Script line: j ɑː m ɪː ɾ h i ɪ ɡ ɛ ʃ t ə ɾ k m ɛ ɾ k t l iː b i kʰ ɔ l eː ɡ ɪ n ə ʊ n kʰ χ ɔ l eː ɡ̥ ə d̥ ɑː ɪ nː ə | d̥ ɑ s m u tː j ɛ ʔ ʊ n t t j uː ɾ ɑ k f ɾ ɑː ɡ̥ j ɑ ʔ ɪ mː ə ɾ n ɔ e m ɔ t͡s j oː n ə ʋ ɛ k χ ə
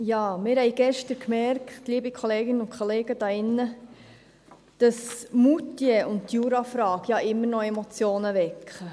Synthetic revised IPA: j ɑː m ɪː ɾ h ɛ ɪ ɡ ɛ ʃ t ə ɾ k m ɛ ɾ k t l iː b i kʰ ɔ l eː ɡ ɪ n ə ʊ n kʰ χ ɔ l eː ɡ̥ ə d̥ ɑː ɪ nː ə | d̥ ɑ s m u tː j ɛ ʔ ʊ n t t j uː ɾ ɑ f ɾ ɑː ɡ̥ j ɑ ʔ ɪ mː ə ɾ n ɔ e m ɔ t͡s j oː n ə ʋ ɛ k χ ə